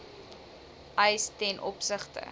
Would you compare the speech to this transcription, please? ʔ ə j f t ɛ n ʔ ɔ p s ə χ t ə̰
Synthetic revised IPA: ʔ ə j s t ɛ n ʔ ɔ p s ə χ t ə̰